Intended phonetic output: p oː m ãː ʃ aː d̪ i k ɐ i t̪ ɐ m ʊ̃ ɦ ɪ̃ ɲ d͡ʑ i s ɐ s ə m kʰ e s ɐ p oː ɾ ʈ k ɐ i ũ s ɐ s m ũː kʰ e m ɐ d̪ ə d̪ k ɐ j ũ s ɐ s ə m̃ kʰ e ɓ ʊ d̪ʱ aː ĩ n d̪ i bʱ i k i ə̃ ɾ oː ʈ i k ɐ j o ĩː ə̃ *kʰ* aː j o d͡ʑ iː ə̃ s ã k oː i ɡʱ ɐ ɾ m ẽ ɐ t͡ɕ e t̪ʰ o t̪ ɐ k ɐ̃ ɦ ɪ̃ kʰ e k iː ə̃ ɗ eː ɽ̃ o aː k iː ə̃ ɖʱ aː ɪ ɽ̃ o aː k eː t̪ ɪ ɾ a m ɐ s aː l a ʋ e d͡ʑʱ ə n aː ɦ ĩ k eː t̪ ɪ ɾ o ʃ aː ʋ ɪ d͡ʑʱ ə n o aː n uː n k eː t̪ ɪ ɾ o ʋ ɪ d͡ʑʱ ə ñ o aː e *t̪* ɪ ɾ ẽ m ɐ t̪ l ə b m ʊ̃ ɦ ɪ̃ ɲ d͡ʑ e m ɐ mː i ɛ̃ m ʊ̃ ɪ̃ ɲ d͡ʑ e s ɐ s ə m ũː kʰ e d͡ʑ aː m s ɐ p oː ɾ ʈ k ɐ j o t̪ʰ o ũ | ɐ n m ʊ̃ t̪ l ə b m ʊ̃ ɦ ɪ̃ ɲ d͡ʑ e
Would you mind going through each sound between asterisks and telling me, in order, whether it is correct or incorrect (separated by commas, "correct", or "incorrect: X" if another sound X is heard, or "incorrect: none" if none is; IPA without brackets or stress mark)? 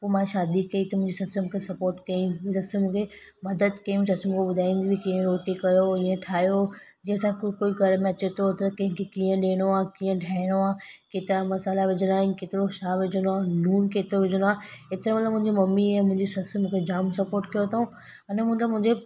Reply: incorrect: ʈʰ, correct